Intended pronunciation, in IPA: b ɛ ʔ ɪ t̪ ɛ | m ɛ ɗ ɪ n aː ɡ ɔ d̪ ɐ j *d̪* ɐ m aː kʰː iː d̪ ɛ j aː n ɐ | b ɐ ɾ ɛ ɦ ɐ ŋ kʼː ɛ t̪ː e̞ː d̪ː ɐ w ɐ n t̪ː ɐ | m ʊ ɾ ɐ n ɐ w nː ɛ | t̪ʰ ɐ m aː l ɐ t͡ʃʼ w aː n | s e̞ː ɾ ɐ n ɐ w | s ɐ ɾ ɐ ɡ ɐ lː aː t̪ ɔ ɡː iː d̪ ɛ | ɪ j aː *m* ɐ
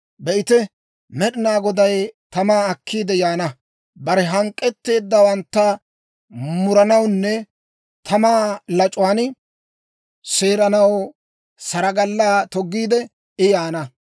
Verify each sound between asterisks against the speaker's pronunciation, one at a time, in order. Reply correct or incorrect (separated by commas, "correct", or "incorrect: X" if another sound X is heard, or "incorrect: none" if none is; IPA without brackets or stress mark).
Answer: incorrect: t̪, incorrect: n